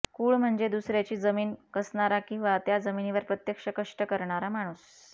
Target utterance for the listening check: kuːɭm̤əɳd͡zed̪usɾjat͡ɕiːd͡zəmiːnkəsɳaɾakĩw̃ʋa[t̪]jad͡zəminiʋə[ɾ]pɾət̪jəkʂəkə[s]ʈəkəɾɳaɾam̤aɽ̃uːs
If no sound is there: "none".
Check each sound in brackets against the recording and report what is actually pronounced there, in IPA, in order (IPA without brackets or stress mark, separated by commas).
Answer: t̪, ɾ, ʂ